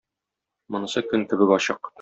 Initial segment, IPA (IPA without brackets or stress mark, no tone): m